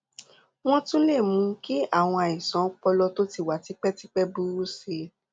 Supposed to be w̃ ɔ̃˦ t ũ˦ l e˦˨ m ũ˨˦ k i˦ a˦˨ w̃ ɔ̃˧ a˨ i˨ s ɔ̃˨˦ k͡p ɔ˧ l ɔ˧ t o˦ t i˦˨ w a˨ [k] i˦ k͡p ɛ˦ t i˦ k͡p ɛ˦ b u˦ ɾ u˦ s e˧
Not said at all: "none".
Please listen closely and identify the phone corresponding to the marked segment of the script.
t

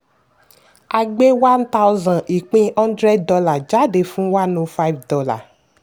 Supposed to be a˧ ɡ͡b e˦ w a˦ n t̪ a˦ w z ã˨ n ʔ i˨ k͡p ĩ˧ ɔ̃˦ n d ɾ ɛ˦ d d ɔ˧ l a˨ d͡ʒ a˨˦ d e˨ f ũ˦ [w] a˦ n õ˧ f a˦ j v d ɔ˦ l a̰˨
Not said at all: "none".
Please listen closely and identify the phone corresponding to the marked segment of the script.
w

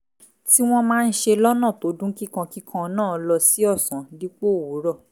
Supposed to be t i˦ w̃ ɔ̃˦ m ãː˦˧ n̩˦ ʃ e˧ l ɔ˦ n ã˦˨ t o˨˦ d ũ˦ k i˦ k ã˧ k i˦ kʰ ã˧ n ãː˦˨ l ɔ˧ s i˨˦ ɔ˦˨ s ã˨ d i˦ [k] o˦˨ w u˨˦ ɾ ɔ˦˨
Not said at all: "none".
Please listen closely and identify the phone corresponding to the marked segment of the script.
k͡p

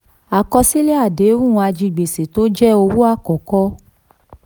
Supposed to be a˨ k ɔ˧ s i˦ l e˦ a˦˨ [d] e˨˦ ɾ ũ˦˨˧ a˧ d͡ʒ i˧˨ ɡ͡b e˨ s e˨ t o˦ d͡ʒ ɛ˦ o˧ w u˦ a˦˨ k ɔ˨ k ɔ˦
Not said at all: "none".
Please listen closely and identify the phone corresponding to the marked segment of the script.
d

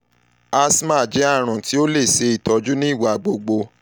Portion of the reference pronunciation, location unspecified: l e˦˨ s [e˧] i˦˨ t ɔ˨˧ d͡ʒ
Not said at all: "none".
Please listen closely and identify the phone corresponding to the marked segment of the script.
e˧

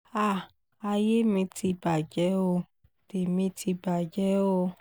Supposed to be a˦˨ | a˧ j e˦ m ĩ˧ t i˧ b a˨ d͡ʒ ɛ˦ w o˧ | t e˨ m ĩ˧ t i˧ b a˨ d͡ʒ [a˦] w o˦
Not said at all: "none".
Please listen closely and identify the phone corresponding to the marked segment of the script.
ɛ˦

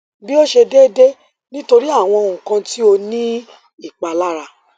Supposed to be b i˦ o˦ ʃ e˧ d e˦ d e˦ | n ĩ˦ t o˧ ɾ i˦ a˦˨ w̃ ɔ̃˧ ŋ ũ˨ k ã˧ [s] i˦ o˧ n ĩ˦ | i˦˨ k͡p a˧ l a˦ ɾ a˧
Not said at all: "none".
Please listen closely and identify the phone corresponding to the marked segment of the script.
t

